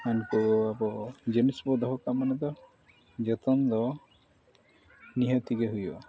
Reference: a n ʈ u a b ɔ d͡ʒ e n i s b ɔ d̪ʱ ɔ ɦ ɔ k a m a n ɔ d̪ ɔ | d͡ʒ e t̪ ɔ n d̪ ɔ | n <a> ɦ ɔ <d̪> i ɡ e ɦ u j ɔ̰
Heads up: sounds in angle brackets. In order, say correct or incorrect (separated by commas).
incorrect, incorrect